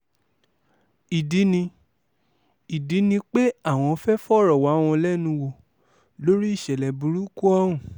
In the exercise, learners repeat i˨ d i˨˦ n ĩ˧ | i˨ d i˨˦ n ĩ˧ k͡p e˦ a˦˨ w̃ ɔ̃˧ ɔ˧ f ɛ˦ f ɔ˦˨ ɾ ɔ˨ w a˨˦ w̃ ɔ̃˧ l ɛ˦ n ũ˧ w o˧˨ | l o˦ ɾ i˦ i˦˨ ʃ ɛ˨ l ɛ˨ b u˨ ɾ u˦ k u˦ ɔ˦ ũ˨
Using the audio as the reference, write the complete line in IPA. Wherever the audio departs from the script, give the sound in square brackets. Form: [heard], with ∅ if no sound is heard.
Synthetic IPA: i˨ d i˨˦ n ĩ˧ | i˨ d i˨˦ n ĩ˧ k͡p e˦ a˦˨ w̃ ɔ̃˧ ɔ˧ f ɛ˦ f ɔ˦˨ ɾ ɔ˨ w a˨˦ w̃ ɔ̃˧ l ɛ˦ n ũ˧ w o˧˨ | l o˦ ɾ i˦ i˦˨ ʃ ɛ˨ l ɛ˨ b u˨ ɾ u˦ k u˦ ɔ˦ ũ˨